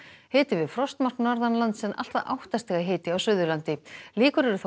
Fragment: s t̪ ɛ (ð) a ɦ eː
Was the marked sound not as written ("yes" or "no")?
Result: yes